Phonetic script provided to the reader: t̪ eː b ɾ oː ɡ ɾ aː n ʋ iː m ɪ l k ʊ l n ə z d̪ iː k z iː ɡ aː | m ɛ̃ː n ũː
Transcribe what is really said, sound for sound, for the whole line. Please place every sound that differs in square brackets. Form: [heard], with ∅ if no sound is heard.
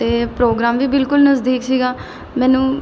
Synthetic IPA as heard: t̪ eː [p] ɾ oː ɡ ɾ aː [m] ʋ iː [b] ɪ l k ʊ l n ə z d̪ iː k [s] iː ɡ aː | m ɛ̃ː n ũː